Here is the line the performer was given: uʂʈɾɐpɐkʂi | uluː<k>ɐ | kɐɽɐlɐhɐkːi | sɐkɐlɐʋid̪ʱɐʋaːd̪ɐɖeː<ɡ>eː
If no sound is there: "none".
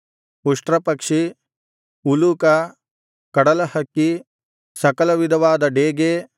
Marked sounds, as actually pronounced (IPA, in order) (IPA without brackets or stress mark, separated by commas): k, ɡ